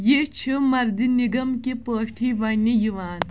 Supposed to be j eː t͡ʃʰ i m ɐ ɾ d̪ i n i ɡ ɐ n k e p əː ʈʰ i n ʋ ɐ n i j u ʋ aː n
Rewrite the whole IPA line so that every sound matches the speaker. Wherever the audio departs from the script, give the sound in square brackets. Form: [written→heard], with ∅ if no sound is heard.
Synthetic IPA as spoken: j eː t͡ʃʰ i m ɐ ɾ d̪ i n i ɡ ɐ [n→m] k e p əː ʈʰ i [n→∅] ʋ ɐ n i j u ʋ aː n